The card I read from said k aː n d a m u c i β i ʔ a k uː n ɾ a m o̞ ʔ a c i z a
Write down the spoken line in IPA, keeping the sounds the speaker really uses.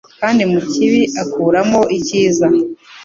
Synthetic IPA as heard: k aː n d i m u c i β i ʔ a k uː ɾ a m o̞ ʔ i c iː z a